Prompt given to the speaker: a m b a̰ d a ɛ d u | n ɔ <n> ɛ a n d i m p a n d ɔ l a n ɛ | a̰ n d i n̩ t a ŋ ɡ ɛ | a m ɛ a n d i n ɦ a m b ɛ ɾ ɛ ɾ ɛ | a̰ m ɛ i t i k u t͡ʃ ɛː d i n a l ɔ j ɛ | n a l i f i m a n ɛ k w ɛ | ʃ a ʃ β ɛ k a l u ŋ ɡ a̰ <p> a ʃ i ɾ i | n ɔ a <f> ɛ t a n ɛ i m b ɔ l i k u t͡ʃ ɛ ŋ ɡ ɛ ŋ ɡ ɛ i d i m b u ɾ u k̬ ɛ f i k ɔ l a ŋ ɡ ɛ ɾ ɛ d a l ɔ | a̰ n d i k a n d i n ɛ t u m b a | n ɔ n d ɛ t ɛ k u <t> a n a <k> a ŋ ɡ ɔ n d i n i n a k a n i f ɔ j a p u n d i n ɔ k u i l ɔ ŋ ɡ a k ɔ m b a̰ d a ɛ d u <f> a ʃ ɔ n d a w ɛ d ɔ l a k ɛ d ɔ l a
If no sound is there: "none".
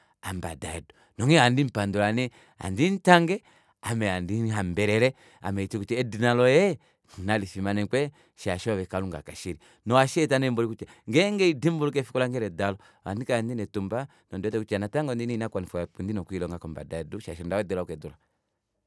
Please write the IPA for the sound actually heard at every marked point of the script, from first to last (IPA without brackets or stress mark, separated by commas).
ŋ, k, ʃ, t͡ʃ, t, ʃ